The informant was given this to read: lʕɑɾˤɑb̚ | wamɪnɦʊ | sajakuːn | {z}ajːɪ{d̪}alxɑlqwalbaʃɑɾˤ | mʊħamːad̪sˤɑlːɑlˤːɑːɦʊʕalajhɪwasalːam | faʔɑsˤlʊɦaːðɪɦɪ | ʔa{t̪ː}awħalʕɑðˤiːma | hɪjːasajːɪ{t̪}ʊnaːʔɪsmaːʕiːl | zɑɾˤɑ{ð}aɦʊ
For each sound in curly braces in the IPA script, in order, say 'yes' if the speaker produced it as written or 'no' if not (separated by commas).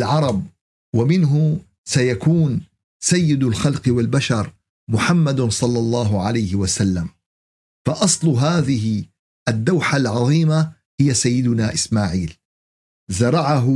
no, yes, no, no, no